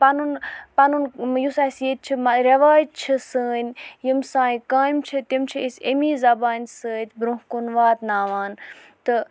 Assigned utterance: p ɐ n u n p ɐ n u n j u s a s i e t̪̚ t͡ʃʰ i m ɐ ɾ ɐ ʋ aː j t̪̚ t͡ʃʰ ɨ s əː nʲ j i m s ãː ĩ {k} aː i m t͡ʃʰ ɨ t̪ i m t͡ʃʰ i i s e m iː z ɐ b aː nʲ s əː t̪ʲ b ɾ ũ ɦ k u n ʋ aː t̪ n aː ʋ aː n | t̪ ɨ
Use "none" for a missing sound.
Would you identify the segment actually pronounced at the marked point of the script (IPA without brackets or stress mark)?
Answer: k